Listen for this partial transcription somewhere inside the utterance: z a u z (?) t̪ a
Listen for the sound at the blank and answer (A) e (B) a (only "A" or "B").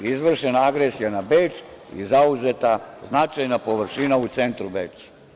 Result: A